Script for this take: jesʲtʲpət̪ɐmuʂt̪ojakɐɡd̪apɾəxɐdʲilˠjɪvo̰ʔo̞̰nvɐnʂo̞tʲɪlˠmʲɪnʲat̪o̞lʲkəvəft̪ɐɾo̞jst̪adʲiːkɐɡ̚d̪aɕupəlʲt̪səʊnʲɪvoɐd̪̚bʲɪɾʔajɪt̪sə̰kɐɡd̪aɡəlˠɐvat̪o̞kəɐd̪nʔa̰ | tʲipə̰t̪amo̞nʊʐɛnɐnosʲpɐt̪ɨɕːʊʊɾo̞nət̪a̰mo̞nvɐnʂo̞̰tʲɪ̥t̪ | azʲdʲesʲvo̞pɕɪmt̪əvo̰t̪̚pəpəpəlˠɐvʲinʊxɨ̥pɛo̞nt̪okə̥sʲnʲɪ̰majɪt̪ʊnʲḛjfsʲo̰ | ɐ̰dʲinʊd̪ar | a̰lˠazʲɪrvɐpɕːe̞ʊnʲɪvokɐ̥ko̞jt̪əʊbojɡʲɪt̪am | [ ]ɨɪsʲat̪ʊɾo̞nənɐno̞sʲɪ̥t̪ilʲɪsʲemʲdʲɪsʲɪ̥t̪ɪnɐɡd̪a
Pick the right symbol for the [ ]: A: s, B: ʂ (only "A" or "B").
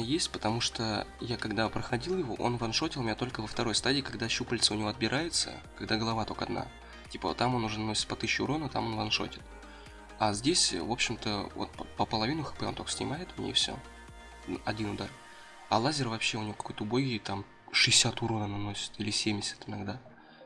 B